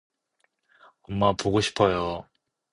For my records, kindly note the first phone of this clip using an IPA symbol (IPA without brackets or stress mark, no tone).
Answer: ʌ